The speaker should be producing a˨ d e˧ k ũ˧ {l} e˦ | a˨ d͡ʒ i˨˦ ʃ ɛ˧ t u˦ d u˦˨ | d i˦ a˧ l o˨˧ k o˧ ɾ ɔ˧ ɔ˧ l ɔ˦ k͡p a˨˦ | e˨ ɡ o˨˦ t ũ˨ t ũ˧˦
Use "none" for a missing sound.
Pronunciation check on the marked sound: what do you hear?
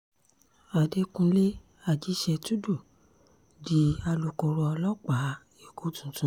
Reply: l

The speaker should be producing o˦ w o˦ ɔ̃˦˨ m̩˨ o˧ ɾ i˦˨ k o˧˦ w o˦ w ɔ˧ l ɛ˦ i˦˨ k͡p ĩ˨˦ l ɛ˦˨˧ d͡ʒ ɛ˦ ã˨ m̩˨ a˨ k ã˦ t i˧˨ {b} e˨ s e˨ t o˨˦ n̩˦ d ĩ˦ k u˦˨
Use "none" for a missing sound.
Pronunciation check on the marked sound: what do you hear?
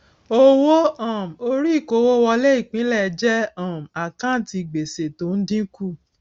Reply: ɡ͡b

